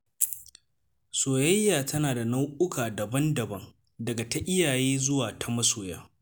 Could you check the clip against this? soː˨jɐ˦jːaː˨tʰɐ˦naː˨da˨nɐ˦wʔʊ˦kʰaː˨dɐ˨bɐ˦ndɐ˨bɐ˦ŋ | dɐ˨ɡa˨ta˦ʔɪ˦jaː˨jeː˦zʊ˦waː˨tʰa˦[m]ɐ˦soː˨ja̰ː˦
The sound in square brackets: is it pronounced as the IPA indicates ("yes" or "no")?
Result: yes